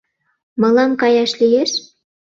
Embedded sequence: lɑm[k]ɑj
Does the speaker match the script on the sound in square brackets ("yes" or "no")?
yes